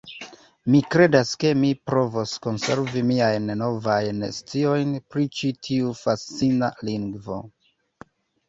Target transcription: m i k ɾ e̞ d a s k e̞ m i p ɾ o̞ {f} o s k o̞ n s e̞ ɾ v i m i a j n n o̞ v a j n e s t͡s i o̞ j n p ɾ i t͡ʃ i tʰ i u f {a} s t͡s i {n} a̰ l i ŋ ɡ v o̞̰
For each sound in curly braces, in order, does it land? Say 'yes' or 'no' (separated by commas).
no, yes, yes